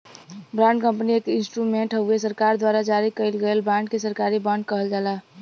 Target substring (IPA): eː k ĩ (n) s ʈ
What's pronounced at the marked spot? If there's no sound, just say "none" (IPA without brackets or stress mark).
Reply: n